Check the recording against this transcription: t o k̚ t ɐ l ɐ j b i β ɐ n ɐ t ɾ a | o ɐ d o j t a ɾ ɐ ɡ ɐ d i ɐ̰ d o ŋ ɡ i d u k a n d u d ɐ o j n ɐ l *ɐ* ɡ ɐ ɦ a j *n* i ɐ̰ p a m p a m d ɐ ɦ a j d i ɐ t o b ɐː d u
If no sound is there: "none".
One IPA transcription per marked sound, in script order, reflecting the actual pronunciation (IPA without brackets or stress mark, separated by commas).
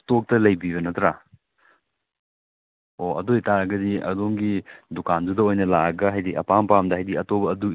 a, d